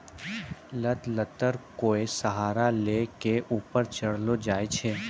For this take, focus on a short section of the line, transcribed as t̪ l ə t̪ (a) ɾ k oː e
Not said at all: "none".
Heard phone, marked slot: ə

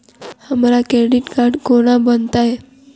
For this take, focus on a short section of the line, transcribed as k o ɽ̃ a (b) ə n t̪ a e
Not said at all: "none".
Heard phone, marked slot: b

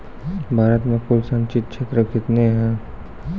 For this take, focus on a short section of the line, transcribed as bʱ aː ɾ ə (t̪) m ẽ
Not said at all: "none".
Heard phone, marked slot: t̪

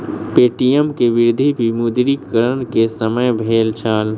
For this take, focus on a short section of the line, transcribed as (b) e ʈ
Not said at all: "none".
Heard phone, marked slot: p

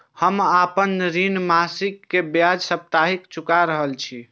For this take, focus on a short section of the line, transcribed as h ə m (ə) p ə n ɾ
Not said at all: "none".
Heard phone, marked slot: a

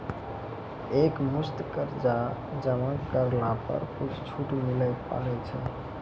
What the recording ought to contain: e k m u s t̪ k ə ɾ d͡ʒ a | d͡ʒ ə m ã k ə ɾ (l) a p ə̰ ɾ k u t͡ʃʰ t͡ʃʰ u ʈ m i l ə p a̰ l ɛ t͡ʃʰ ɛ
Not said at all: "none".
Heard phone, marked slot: l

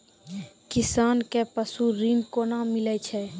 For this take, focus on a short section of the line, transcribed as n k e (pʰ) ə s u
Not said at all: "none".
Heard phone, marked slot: p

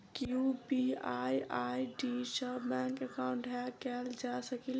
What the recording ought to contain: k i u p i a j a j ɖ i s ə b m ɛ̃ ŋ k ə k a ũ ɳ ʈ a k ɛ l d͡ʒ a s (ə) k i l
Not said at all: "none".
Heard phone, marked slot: ə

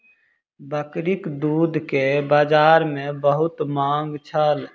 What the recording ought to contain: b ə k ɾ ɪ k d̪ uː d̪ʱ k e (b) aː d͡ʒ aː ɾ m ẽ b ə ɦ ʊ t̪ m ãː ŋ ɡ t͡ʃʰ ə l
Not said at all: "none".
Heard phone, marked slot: b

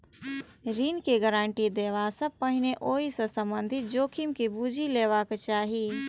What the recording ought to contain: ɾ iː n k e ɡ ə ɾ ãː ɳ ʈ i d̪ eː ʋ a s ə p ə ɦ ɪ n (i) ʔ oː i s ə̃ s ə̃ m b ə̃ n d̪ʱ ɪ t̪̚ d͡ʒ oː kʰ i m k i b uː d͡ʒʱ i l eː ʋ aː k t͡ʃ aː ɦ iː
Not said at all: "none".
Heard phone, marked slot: e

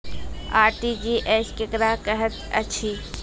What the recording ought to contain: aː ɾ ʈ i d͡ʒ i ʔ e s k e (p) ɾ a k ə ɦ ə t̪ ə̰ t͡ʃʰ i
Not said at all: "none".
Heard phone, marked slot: k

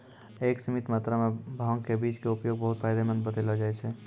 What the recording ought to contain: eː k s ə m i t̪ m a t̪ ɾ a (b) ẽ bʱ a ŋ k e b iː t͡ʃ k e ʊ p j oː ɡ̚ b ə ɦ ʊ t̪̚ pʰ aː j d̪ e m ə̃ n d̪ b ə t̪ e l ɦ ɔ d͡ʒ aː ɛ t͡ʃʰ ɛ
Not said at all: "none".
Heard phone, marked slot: m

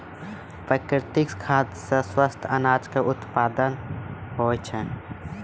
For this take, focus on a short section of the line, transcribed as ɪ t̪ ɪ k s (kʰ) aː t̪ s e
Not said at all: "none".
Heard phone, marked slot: kʰ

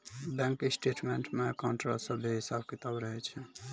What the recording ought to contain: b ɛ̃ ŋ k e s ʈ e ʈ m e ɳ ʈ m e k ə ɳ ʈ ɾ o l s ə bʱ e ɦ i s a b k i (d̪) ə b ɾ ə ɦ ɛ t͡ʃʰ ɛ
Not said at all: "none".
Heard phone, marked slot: t̪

